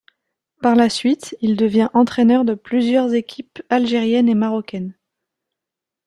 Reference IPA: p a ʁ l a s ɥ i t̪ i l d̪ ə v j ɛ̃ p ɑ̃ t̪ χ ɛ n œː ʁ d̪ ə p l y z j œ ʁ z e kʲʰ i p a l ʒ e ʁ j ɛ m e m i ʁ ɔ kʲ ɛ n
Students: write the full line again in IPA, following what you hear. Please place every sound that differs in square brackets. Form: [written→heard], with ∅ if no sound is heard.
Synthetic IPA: p a ʁ l a s ɥ i t̪ i l d̪ ə v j ɛ̃ [p→ʔ] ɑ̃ t̪ χ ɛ n [œː→œ] ʁ d̪ ə p l y z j œ ʁ z e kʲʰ i p a l ʒ e ʁ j ɛ [m→n] e m [i→a] ʁ ɔ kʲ ɛ n

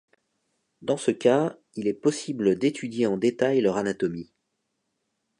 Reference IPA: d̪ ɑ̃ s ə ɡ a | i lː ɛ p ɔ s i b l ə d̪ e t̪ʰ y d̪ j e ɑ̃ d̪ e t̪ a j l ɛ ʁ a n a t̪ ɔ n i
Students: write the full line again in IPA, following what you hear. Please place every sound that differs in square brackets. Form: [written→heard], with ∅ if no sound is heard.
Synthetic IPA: d̪ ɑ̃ s ə [ɡ→k] a | i [lː→l] ɛ p ɔ s i b l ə d̪ e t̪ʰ y d̪ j e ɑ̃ d̪ e t̪ a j l [ɛ→œ] ʁ a n a t̪ ɔ [n→m] i

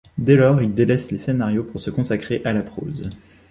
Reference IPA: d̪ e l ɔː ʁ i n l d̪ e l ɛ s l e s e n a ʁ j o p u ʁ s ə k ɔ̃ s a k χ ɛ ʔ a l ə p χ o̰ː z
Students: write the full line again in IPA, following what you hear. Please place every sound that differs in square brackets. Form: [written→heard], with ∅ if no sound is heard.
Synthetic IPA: d̪ e l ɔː ʁ i [n→∅] l d̪ e l ɛ s l e s e n a ʁ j o p u ʁ s ə k ɔ̃ s a k χ [ɛ→e] ʔ a l [ə→a] p χ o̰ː z

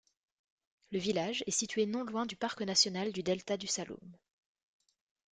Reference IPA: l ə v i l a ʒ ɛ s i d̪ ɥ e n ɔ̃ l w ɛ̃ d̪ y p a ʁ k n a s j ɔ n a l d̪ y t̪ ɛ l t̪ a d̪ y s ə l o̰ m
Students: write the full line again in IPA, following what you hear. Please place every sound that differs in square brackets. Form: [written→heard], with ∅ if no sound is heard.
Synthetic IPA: l ə v i l a ʒ ɛ s i [d̪→t̪] ɥ e n ɔ̃ l w ɛ̃ d̪ y p a ʁ k n a s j ɔ n a l d̪ y [t̪→d̪] ɛ l t̪ a d̪ y s [ə→a] l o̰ m

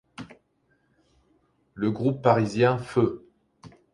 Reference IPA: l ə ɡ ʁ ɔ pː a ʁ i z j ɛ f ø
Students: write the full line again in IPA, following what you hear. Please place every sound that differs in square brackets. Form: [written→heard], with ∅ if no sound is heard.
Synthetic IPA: l ə ɡ ʁ [ɔ→u] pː a ʁ i z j [ɛ→ɛ̃] f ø

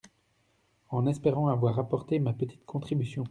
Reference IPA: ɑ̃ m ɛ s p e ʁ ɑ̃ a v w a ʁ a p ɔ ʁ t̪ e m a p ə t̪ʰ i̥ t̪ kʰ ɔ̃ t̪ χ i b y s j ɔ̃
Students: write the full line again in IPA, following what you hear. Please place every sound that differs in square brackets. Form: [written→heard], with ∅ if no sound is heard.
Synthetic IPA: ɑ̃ [m→n] ɛ s p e ʁ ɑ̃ a v w a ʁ a p ɔ ʁ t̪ e m a p ə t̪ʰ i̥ t̪ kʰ ɔ̃ t̪ χ i b y s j ɔ̃

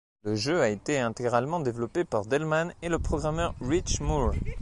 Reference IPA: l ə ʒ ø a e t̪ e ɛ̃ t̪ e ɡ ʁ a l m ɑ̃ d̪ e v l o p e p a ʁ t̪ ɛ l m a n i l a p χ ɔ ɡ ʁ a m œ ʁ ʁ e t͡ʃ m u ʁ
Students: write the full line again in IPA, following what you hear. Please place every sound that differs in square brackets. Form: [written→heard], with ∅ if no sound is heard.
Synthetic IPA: l ə ʒ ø a e t̪ e ɛ̃ t̪ e ɡ ʁ a l m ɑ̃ d̪ e v l [o→ɔ] p e p a ʁ [t̪→d̪] ɛ l m a n [i→e] l [a→ə] p χ ɔ ɡ ʁ a m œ ʁ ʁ [e→i] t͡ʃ m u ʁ

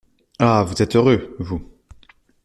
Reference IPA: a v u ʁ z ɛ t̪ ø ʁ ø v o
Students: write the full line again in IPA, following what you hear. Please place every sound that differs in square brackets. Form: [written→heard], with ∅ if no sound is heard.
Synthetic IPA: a v u [ʁ→∅] z ɛ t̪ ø ʁ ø v [o→u]

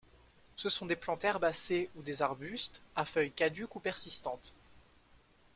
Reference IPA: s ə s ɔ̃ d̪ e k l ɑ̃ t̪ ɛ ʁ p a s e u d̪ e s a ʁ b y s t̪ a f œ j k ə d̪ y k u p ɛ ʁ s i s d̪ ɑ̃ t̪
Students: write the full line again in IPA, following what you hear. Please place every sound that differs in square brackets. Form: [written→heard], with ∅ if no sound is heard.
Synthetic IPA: s ə s ɔ̃ d̪ e [k→p] l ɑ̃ t̪ ɛ ʁ [p→b] a s e u d̪ e [s→z] a ʁ b y s t̪ a f œ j k [ə→a] d̪ y k u p ɛ ʁ s i s [d̪→t̪] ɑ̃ t̪

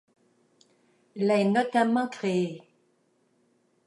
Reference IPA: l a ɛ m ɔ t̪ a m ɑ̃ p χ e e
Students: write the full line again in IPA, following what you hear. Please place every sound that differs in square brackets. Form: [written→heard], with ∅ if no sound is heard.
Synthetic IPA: l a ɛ [m→n] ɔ t̪ a m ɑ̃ [p→k] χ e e

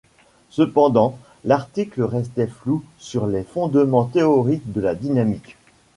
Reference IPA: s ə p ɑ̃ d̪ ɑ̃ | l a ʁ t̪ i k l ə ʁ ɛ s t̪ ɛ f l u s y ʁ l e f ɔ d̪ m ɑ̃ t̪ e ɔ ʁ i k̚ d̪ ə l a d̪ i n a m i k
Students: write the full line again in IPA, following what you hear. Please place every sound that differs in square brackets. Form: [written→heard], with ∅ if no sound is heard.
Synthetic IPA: s ə p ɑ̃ d̪ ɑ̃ | l a ʁ t̪ i k l ə ʁ ɛ s t̪ ɛ f l u s y ʁ l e f [ɔ→ɔ̃] d̪ m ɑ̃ t̪ e ɔ ʁ i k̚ d̪ ə l a d̪ i n a m i k

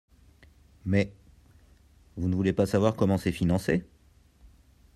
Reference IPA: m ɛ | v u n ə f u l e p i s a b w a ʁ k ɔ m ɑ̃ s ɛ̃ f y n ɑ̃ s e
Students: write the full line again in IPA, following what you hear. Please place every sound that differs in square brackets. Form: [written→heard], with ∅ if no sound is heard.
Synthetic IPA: m ɛ | v u n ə [f→v] u l e p [i→a] s a [b→v] w a ʁ k ɔ m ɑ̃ s [ɛ̃→ɛ] f [y→i] n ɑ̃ s e

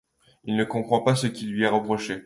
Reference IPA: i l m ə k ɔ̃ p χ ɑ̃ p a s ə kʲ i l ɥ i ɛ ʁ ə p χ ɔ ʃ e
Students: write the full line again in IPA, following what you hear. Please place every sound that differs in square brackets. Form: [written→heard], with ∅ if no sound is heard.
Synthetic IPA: i l [m→n] ə k ɔ̃ p χ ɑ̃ p a s ə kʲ i l ɥ i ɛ ʁ ə p χ ɔ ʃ e

